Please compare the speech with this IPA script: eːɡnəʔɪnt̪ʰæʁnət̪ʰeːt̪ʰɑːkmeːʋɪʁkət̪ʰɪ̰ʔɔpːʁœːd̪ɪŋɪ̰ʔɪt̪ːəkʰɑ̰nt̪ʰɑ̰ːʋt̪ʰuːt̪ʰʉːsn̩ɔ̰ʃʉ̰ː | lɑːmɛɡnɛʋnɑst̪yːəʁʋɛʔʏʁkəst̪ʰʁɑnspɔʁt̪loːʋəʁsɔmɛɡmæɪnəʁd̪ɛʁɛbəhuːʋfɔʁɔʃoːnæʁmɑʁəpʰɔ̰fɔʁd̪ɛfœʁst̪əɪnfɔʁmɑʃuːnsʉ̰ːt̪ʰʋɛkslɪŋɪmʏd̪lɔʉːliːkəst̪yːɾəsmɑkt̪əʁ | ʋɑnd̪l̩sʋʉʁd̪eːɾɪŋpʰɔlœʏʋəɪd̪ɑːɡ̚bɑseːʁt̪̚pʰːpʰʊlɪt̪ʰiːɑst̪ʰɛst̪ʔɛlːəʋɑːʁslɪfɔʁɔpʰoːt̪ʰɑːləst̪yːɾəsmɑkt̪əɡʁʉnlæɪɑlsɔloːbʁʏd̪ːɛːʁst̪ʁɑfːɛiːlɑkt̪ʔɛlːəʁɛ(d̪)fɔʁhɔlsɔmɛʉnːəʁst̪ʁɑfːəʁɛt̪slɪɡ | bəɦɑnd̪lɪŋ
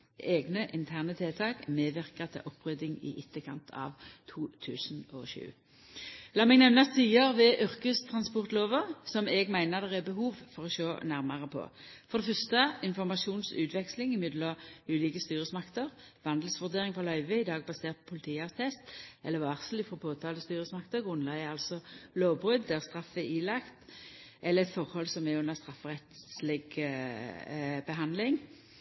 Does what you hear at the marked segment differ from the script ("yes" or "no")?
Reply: yes